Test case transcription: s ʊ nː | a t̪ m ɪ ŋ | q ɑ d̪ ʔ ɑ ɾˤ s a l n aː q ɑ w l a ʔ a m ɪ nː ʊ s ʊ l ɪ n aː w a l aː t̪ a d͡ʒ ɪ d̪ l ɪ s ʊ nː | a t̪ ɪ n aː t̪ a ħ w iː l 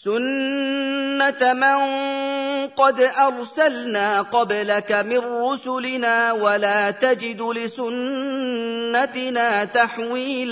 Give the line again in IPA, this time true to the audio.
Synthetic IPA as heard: s ʊ nː | a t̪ m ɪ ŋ | q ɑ d̪ ʔ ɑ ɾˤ s a l n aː q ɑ b l a k a m ɪ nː ʊ s ʊ l ɪ n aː w a l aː t̪ a d͡ʒ ɪ d̪ l ɪ s ʊ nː | a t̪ ɪ n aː t̪ a ħ w iː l